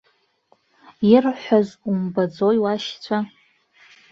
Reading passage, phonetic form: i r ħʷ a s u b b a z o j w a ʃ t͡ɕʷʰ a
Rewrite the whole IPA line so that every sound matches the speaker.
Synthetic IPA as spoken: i r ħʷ a z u m b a d͡z o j w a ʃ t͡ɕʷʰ a